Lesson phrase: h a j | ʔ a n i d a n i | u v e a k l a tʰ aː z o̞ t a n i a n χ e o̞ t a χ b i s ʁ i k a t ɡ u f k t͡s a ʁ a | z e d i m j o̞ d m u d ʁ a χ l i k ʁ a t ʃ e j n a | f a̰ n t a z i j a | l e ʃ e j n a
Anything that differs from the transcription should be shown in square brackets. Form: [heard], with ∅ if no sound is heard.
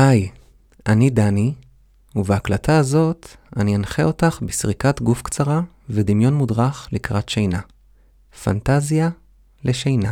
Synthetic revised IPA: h a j | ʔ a n i d a n i | u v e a k l a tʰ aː z o̞ t a n i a n χ e o̞ t a χ b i s ʁ i k a t ɡ u f k t͡s a ʁ a | [v] e d i m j o̞ [n] m u d ʁ a χ l i k ʁ a t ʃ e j n a | f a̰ n t a z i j a | l e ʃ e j n a